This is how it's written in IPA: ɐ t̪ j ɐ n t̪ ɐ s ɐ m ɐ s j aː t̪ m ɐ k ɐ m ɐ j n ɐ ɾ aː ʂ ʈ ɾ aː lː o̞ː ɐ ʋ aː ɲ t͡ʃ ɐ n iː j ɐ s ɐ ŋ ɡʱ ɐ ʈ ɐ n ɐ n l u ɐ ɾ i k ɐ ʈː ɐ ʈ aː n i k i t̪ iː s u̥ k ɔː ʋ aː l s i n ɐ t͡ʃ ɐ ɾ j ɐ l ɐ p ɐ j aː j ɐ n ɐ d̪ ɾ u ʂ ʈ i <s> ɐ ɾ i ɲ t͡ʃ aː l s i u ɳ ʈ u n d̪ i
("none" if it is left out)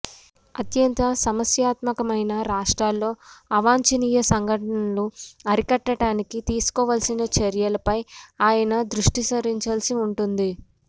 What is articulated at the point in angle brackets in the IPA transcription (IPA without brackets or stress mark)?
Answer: s